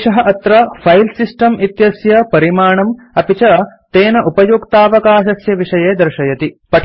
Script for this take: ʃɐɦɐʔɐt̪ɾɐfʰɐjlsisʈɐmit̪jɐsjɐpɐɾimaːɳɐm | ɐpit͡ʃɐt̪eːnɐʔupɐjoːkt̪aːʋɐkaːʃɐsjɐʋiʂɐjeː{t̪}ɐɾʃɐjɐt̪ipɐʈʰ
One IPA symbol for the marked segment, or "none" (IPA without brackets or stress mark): d̪